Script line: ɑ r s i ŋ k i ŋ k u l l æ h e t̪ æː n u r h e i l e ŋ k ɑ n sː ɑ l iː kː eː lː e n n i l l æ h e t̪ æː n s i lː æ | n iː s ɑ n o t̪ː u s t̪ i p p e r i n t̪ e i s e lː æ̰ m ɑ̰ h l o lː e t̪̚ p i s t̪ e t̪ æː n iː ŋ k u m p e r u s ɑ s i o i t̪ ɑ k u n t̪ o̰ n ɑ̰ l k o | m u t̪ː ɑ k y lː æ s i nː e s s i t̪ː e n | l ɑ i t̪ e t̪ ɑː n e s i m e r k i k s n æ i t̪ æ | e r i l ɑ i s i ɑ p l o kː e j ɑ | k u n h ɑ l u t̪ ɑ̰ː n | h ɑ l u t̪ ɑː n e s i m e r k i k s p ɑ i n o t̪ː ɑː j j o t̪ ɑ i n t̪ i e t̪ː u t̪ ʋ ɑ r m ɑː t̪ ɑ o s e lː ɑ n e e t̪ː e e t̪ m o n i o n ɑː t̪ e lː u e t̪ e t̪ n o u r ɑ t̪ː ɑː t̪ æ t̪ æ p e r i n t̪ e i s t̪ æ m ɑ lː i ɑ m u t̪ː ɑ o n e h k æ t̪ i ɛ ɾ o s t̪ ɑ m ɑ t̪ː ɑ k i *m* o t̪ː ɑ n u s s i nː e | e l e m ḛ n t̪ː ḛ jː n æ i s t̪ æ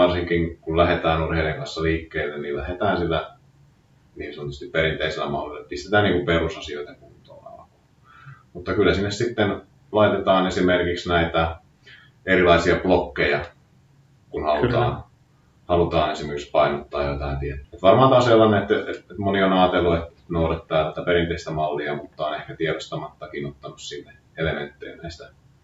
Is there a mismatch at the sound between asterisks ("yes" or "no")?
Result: yes